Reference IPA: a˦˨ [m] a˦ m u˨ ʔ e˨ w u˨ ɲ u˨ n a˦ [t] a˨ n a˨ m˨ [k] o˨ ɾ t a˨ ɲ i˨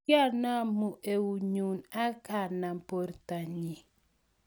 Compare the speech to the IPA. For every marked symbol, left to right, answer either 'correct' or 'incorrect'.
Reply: incorrect, incorrect, incorrect

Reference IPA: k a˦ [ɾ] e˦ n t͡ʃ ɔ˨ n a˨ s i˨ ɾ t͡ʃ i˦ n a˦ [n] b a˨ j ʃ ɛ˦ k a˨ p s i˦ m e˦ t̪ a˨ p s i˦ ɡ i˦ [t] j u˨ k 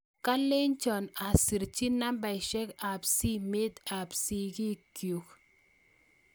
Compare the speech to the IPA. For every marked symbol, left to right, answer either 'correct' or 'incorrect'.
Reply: incorrect, incorrect, incorrect

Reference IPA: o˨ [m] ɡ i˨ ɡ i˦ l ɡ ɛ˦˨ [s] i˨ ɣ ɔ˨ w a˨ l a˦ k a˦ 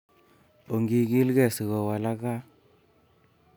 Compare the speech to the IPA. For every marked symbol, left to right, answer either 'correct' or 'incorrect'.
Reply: incorrect, correct

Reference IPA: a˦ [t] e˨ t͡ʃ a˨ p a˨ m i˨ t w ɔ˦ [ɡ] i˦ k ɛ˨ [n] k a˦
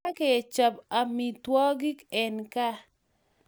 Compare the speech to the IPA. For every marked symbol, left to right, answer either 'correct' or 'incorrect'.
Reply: incorrect, correct, correct

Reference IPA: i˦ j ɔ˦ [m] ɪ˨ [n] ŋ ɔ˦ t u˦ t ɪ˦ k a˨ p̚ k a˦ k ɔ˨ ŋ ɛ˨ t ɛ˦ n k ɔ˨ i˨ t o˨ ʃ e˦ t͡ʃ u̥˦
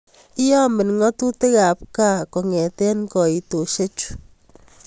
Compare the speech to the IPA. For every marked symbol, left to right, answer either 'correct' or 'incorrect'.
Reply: correct, correct

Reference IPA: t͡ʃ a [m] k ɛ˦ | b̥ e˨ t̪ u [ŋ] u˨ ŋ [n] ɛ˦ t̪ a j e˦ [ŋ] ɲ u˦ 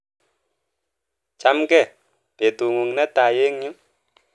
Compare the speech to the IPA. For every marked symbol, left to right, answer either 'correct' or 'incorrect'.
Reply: correct, correct, correct, correct

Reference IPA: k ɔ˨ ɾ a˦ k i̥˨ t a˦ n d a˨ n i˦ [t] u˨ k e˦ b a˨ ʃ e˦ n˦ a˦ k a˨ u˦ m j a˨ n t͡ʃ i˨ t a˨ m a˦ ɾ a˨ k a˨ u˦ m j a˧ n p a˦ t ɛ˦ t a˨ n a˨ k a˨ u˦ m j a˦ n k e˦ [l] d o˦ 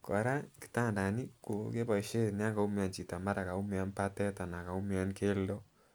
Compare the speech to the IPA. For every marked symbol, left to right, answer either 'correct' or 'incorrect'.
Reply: incorrect, correct

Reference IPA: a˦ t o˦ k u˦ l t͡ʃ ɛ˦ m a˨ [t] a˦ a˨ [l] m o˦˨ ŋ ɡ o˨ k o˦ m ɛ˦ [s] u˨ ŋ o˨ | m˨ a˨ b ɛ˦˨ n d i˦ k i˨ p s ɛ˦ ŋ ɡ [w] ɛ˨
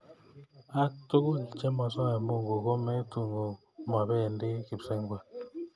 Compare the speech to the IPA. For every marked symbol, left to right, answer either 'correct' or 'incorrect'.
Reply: incorrect, incorrect, incorrect, correct

